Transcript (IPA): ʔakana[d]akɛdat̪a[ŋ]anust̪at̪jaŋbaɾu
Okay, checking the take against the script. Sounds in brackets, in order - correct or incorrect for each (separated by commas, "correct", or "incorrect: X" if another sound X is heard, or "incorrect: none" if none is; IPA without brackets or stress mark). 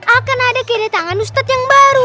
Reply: correct, correct